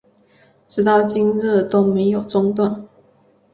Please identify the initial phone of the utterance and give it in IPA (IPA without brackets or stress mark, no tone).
ʈ͡ʂ